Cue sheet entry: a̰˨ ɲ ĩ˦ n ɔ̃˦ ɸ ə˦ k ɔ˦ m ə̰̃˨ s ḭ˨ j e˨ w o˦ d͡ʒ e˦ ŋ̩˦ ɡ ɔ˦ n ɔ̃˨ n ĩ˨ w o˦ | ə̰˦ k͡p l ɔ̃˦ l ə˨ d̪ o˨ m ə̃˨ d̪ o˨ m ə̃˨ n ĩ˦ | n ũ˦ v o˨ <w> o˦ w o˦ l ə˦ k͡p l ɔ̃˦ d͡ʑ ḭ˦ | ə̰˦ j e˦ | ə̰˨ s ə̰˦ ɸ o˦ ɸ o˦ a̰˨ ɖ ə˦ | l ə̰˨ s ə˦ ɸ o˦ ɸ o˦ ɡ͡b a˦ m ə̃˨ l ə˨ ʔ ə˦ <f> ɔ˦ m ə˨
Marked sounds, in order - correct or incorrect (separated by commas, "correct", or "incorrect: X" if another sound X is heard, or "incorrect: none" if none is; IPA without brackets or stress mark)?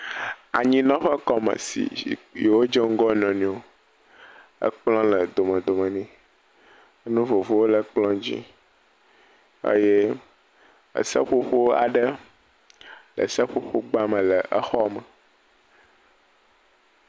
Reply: incorrect: v, incorrect: x